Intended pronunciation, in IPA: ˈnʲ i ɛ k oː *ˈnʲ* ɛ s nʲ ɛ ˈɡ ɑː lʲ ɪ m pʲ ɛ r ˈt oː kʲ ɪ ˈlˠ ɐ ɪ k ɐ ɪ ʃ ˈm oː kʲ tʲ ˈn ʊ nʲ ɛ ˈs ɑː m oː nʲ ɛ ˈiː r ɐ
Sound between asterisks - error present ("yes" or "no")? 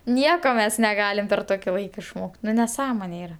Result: yes